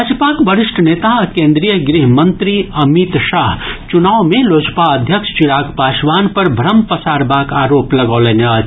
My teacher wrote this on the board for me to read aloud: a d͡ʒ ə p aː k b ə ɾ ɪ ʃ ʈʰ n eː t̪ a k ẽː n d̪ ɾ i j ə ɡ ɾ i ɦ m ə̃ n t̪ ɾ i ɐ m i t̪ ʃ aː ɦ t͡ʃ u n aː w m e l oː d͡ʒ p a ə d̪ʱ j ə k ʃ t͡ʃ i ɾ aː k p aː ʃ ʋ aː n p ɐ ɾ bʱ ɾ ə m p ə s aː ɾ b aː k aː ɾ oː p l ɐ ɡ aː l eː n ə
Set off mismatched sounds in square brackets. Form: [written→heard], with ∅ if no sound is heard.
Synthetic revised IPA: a d͡ʒ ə p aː k b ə ɾ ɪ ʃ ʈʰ n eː t̪ a k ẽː n d̪ ɾ i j ə ɡ ɾ i ɦ m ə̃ n t̪ ɾ i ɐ m i t̪ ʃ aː ɦ t͡ʃ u n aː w m e l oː d͡ʒ p a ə d̪ʱ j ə k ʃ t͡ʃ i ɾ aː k p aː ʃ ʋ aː n p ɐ ɾ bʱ ɾ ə m p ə s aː ɾ b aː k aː ɾ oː p l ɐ ɡ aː l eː n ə